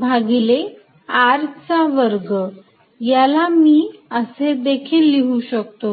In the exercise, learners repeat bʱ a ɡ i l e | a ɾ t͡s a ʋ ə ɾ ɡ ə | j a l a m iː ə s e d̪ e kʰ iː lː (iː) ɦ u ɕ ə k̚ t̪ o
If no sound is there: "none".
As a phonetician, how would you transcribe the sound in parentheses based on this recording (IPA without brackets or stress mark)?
i